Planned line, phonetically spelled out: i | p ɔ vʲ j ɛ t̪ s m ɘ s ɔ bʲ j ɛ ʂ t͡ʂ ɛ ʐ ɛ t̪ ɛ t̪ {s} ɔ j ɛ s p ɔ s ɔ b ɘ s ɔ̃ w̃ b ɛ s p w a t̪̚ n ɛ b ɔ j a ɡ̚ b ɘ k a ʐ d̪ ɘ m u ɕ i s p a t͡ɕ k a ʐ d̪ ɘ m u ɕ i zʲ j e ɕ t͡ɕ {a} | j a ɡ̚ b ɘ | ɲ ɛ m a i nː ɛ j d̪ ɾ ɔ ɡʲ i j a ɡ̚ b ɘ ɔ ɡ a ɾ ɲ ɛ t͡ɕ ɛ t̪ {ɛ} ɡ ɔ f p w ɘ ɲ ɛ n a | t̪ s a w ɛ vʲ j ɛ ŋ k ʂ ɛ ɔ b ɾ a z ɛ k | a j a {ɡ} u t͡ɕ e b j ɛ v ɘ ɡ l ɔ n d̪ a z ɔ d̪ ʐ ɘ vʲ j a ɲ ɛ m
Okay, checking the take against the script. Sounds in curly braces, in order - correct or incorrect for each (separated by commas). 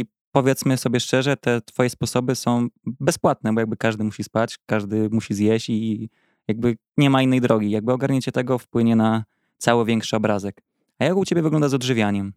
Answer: incorrect, incorrect, correct, incorrect